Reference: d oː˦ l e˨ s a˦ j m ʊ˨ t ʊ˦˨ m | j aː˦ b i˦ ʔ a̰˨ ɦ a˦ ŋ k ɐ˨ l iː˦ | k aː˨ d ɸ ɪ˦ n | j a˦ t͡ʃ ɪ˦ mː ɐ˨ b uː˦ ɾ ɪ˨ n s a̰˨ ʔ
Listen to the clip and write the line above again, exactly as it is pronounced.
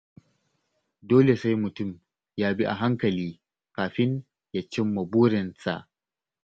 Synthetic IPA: d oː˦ l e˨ s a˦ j m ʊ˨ t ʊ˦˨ m | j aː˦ b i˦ ʔ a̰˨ ɦ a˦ ŋ k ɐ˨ l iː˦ | k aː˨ ɸ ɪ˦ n | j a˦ t͡ʃ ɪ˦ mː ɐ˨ b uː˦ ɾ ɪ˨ n s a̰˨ ʔ